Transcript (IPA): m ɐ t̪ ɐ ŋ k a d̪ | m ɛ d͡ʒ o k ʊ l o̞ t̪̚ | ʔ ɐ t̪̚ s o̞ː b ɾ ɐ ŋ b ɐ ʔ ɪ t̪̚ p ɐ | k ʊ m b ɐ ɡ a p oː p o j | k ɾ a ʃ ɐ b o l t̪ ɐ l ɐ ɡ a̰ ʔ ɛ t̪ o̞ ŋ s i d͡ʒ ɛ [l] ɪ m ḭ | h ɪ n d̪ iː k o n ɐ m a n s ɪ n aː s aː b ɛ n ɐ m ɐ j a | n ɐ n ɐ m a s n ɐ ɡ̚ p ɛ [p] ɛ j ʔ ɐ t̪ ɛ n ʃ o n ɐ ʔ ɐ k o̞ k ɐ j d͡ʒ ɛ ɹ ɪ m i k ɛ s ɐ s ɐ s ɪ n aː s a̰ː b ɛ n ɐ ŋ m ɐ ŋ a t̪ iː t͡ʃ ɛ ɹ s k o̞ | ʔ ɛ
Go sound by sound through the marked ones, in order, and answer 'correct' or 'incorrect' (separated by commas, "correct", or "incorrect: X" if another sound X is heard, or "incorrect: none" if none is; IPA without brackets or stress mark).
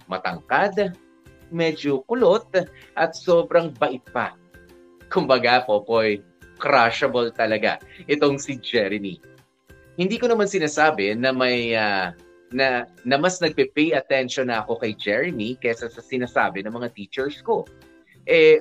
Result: incorrect: ɾ, correct